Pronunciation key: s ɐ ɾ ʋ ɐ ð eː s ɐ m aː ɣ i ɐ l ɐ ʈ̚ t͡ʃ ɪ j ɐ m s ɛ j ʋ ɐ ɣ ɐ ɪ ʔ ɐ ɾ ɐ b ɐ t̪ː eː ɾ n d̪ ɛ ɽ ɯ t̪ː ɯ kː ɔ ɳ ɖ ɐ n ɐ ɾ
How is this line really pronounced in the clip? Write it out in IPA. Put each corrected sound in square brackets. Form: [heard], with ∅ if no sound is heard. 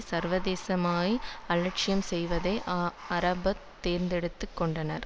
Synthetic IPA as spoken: s ɐ ɾ ʋ ɐ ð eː s ɐ m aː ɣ i ɐ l ɐ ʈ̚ t͡ʃ ɪ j ɐ m s ɛ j ʋ ɐ [ð] ɐ ɪ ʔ ɐ ɾ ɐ b ɐ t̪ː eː ɾ n d̪ ɛ ɽ ɯ t̪ː ɯ kː ɔ ɳ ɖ ɐ n ɐ ɾ